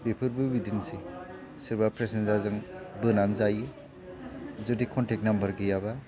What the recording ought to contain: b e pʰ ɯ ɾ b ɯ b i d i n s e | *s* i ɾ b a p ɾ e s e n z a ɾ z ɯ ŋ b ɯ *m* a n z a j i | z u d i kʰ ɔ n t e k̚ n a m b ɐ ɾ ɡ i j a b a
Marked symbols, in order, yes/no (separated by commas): yes, no